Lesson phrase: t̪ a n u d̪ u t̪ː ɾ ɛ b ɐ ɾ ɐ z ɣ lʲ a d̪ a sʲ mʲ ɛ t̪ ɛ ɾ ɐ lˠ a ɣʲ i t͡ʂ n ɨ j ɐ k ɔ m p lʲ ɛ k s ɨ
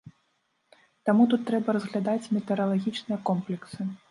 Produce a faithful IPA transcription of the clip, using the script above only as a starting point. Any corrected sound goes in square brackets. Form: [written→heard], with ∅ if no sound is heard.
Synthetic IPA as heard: t̪ a [n→m] u [d̪→t̪] u t̪ː ɾ ɛ b ɐ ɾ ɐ z ɣ lʲ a d̪ a [sʲ→t͡sʲ] mʲ ɛ t̪ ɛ ɾ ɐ lˠ a ɣʲ i t͡ʂ n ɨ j ɐ k ɔ m p lʲ ɛ k s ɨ